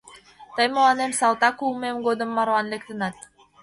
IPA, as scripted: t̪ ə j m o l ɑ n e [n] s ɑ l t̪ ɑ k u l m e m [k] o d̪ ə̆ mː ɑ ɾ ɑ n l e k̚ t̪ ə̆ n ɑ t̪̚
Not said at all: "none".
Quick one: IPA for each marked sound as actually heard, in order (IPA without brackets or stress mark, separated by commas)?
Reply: m, ɡ